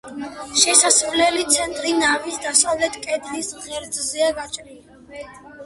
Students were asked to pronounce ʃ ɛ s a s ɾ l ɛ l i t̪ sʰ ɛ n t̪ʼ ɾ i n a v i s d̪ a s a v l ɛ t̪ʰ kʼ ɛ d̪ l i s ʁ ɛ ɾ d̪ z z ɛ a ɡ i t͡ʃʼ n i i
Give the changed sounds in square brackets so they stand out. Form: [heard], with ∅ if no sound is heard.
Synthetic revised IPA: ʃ ɛ s a s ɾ l ɛ l i t̪ sʰ ɛ n t̪ʼ ɾ i n a v i s d̪ a s a v l ɛ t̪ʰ kʼ ɛ d̪ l i s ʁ ɛ ɾ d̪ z z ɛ a ɡ [a] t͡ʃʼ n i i

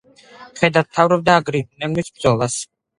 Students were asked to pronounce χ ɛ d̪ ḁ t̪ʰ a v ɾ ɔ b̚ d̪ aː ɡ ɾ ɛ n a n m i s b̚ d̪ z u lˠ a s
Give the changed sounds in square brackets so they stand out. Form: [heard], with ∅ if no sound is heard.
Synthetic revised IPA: χ ɛ d̪ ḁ t̪ʰ a v ɾ ɔ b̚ d̪ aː ɡ ɾ [i] n [ɛ] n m i s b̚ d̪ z [ɔ] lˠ a s

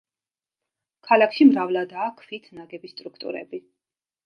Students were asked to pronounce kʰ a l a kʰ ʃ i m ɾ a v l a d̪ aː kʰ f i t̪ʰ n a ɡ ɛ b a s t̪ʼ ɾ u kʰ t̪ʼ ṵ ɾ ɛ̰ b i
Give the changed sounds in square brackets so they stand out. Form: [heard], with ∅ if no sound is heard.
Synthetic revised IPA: kʰ a l a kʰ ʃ i m ɾ a v l a d̪ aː kʰ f i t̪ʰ n a ɡ ɛ b [i] s t̪ʼ ɾ u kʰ t̪ʼ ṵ ɾ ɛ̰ b i

